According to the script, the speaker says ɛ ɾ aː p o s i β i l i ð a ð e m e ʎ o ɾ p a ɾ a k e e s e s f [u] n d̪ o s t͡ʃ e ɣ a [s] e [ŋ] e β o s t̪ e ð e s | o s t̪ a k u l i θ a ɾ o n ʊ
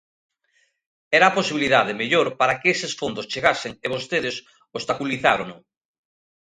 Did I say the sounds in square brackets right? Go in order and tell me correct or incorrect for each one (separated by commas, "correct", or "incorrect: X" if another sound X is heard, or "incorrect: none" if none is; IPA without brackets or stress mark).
incorrect: o, correct, correct